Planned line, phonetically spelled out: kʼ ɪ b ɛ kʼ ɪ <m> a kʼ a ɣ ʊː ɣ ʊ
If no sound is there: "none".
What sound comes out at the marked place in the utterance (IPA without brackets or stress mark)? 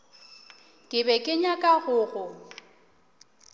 ɲ